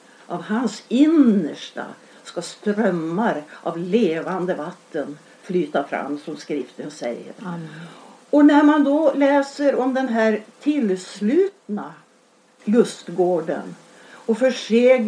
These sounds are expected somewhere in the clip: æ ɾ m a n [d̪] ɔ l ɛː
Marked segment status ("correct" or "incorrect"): correct